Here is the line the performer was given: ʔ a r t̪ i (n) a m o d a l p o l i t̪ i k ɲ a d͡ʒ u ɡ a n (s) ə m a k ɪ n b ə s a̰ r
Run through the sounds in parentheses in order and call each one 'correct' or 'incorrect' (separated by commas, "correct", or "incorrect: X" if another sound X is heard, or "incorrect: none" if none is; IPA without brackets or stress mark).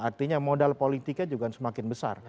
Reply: incorrect: ɲ, correct